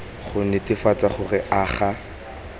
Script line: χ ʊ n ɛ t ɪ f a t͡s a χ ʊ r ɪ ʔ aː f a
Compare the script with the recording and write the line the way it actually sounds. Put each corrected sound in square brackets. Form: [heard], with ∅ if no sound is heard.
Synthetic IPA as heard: χ ʊ n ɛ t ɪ f a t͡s a χ ʊ r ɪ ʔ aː [χ] a